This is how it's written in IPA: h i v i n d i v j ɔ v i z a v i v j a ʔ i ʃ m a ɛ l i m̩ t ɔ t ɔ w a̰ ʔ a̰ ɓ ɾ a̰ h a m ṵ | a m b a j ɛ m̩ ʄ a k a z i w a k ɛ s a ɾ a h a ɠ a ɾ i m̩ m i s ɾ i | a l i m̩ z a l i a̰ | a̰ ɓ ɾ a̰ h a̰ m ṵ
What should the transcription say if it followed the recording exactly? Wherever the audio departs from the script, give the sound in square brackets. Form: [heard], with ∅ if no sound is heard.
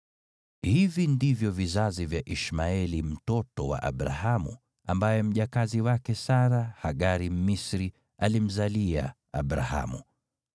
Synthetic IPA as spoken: h i v i n d i v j ɔ v i z a [z] i v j a ʔ i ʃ m a ɛ l i m̩ t ɔ t ɔ w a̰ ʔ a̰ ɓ ɾ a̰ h a m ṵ | a m b a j ɛ m̩ ʄ a k a z i w a k ɛ s a ɾ a h a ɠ a ɾ i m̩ m i s ɾ i | a l i m̩ z a l i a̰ | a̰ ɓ ɾ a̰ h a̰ m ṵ